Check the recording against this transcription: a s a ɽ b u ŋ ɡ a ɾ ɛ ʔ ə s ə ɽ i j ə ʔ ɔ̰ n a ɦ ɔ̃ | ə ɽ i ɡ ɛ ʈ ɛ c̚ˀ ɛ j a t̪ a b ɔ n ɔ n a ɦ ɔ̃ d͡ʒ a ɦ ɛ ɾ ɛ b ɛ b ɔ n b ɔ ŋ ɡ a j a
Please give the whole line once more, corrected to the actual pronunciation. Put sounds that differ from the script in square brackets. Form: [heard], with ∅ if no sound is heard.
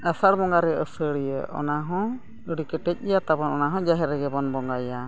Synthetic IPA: a s a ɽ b [ɔ] ŋ ɡ a ɾ ɛ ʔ ə s ə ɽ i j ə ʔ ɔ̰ n a ɦ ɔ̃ | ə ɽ i [k] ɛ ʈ ɛ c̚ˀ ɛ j a t̪ a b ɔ n ɔ n a ɦ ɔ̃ d͡ʒ a ɦ ɛ ɾ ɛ [ɡ] ɛ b ɔ n b ɔ ŋ ɡ a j a